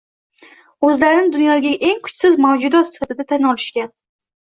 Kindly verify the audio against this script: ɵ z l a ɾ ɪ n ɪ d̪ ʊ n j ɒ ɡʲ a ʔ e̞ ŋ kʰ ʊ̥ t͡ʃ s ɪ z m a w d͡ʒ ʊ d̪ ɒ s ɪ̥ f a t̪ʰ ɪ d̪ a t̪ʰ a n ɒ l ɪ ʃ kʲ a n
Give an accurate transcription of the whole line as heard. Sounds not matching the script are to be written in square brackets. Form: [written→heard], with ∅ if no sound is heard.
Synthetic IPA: ɵ z l a ɾ ɪ n ɪ d̪ ʊ n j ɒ ɡʲ a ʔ e̞ ŋ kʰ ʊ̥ t͡ʃ s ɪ z m a w d͡ʒ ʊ d̪ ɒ s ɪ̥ f a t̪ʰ ɪ d̪ a t̪ʰ a n ɒ l ɪ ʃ kʲ a n